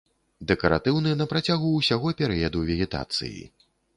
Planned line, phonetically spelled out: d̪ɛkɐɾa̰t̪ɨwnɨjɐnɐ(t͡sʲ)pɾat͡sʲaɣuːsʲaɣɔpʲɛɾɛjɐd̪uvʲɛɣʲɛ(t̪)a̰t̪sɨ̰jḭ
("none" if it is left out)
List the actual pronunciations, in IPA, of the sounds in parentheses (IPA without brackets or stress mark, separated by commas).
none, t̪